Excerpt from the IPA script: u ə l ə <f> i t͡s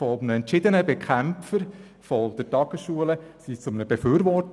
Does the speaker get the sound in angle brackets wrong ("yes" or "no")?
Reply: yes